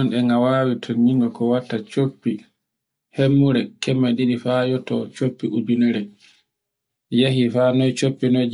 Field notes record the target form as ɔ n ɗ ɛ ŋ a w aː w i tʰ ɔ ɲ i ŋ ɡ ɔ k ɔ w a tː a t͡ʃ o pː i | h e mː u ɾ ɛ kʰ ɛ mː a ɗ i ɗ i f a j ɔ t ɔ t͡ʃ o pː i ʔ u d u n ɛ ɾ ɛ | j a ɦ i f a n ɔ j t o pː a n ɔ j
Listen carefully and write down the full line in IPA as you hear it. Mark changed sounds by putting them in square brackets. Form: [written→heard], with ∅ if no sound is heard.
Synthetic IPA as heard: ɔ n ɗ ɛ ŋ a w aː w i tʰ ɔ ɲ i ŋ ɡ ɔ k ɔ w a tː a t͡ʃ o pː i | h e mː u ɾ ɛ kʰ ɛ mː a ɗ i ɗ i f a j ɔ t ɔ t͡ʃ o pː i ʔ u d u n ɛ ɾ ɛ | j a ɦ i f a n ɔ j [t→t͡ʃ] o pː [a→i] n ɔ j